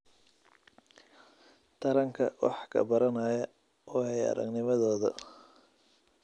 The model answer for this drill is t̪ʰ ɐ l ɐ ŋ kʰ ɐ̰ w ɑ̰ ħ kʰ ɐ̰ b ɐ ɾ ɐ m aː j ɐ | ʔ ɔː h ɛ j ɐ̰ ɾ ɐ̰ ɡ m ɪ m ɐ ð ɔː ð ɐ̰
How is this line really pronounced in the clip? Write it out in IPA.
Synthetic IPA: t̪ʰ ɐ ɾ ɐ ŋ kʰ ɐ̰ w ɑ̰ ħ kʰ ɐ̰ b ɐ ɾ ɐ n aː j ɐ | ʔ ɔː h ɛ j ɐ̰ ɾ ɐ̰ ɡ n ɪ m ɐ ð ɔː ð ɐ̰